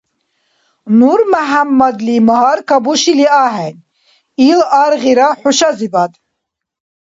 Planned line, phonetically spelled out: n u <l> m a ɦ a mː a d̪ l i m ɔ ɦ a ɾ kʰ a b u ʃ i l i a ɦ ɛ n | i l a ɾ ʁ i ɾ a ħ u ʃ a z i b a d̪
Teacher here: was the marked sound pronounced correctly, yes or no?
no